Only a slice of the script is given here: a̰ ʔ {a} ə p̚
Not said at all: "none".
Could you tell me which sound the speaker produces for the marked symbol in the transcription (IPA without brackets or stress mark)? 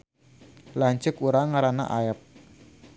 a